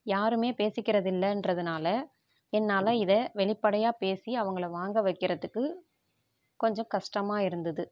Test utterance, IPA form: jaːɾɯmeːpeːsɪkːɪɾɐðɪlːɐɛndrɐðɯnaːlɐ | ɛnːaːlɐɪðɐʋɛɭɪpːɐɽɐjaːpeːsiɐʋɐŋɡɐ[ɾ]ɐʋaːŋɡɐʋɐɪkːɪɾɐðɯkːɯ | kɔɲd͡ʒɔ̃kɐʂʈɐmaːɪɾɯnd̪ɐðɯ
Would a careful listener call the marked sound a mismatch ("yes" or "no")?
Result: yes